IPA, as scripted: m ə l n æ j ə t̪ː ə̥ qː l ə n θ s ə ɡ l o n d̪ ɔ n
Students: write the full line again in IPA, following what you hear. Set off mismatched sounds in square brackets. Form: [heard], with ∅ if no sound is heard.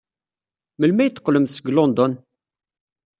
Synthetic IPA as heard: m ə l [m] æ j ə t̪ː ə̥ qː l ə [m] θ s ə ɡ l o n d̪ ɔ n

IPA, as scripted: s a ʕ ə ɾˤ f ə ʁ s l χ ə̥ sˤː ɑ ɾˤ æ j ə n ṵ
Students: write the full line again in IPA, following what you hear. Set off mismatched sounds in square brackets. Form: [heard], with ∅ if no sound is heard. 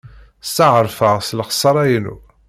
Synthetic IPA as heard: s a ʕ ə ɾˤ f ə ʁ s l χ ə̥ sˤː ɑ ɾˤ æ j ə n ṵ

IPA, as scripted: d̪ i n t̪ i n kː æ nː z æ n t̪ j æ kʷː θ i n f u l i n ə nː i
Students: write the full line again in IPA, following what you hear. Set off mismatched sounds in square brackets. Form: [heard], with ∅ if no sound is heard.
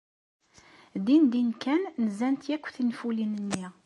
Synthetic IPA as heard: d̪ i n [d̪] i n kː æ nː z æ n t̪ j æ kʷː θ i n f u l i n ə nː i

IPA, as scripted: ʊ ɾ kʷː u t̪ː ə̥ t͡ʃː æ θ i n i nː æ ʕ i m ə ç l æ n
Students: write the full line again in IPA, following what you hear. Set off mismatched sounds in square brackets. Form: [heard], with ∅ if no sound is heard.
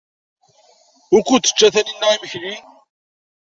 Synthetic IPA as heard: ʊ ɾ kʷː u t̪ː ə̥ t͡ʃː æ θ [æ] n i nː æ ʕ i m ə ç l [i] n

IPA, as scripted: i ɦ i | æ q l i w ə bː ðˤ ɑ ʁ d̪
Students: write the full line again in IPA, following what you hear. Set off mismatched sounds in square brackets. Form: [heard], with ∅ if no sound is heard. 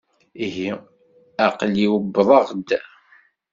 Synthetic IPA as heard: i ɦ i | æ q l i w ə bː ðˤ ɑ ʁ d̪

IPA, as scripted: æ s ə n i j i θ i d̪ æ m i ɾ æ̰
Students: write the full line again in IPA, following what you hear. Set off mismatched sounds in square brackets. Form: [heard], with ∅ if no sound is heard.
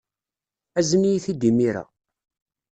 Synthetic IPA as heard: æ [z] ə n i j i θ i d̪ [i] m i ɾ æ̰

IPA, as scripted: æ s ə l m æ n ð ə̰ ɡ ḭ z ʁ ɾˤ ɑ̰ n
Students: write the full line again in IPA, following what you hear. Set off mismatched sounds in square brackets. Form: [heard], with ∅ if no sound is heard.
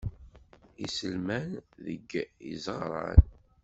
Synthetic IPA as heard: [i] s ə l m æ n ð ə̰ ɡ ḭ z ʁ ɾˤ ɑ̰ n

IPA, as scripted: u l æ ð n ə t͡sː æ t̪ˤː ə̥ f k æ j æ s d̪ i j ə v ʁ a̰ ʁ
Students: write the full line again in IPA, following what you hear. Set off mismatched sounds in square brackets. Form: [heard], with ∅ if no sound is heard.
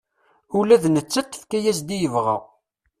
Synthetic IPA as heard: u l æ ð n ə t͡sː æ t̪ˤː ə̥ f k æ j æ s d̪ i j ə v ʁ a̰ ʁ

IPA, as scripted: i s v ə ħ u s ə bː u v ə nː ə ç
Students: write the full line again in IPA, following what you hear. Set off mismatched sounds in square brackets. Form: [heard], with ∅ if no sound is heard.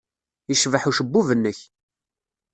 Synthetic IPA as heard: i [ʃ] v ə ħ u [ʃ] ə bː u v ə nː ə ç

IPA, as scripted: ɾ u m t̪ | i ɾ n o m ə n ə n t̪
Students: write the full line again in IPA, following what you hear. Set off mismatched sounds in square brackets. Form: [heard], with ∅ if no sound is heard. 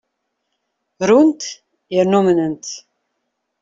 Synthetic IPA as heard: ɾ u [n] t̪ | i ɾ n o m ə n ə n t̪

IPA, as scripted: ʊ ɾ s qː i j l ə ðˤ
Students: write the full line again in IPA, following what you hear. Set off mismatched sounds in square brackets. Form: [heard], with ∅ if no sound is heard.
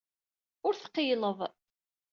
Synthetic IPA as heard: ʊ ɾ [θ] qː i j l ə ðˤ

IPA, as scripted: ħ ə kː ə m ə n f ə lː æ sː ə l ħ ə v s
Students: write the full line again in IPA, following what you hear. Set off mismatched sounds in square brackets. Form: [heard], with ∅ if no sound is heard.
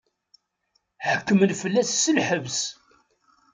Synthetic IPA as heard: ħ ə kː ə m ə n f ə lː æ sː ə l ħ ə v s

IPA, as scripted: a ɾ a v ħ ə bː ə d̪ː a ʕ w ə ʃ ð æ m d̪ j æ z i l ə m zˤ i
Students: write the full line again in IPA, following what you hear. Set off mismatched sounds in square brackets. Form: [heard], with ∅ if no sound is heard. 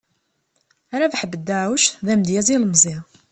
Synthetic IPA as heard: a ɾ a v ħ ə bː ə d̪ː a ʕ w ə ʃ ð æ m d̪ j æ z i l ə m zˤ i

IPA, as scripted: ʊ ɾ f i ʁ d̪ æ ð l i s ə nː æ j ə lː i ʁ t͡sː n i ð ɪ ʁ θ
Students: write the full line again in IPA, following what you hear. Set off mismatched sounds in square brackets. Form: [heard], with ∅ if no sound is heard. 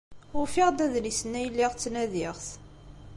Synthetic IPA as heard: ʊ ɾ f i ʁ d̪ æ ð l i s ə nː æ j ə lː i ʁ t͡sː n [æ] ð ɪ ʁ θ

